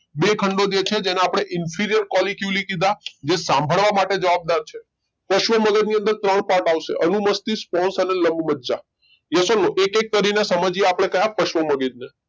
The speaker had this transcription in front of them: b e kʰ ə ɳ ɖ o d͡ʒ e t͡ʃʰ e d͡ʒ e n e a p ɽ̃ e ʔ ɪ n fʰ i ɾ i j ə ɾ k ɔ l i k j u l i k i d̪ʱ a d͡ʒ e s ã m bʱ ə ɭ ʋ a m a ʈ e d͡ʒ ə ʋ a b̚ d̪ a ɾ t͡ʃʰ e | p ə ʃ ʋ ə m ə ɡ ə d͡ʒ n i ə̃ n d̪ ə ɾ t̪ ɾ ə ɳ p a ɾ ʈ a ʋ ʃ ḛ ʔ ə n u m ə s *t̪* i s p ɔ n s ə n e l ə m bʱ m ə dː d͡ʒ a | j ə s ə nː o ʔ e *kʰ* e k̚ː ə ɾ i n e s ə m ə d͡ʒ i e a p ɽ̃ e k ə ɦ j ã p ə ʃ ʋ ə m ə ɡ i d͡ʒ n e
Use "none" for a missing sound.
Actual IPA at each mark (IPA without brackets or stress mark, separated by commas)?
t̪, k